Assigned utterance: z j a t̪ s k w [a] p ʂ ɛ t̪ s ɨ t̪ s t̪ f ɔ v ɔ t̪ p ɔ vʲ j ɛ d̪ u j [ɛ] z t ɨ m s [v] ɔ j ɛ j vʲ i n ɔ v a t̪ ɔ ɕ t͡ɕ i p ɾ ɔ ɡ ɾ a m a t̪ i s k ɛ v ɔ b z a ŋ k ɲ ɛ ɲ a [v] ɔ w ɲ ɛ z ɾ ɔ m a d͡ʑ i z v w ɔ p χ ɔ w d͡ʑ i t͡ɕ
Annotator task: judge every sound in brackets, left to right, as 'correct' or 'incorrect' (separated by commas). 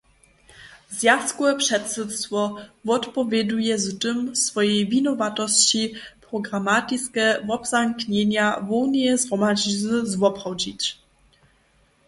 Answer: incorrect, correct, incorrect, correct